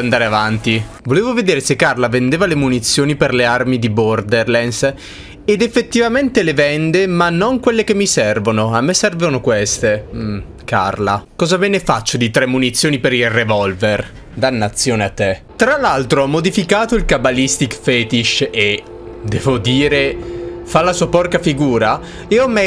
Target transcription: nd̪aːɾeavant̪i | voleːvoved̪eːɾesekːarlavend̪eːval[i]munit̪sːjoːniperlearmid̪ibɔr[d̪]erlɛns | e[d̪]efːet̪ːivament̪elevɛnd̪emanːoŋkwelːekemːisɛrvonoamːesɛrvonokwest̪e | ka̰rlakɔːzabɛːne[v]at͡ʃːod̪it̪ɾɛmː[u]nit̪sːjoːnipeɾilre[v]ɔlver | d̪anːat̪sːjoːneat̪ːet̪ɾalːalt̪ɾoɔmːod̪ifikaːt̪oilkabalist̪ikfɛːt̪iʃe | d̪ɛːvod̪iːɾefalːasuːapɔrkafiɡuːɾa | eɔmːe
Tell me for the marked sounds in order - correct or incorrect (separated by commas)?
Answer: incorrect, correct, correct, incorrect, correct, correct